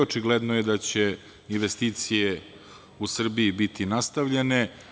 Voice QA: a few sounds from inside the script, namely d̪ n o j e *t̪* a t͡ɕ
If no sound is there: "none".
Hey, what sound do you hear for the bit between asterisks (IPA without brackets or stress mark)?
d̪